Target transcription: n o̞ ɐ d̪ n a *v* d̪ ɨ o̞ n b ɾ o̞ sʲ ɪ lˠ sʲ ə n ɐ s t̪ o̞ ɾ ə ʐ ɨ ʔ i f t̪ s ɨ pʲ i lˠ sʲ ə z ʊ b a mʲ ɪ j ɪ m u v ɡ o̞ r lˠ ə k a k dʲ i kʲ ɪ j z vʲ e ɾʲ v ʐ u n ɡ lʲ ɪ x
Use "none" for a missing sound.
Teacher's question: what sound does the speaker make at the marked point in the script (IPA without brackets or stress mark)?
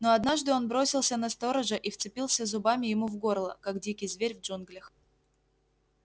ʐ